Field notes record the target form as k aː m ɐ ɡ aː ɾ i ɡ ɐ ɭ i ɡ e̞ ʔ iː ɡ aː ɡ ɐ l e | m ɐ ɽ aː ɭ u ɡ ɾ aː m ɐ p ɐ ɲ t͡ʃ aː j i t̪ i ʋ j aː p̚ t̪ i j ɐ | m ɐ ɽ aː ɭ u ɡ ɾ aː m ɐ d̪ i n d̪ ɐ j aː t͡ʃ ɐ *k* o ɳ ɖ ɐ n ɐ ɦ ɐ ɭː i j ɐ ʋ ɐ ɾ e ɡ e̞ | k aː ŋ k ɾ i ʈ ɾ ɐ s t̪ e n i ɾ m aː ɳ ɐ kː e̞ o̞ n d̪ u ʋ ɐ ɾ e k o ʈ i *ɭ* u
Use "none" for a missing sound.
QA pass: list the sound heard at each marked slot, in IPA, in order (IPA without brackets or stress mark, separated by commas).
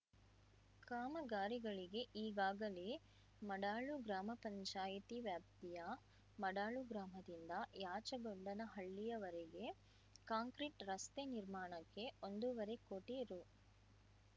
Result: ɡ, ɾ